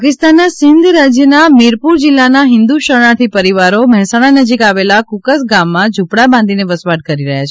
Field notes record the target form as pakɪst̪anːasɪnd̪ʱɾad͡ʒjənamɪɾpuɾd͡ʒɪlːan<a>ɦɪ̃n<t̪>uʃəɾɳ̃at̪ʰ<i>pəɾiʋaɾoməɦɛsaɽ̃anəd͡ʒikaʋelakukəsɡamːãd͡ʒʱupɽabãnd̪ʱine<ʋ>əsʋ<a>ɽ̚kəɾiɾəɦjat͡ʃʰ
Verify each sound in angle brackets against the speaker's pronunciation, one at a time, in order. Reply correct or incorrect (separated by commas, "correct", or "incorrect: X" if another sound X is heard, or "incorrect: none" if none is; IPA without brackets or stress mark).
correct, incorrect: d̪, correct, correct, correct